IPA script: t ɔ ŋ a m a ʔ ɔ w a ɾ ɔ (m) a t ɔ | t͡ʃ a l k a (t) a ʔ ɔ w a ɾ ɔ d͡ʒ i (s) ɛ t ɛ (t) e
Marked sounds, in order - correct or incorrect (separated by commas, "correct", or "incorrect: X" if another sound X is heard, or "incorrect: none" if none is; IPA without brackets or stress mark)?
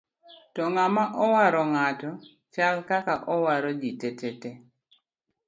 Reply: incorrect: ŋ, incorrect: k, incorrect: t, correct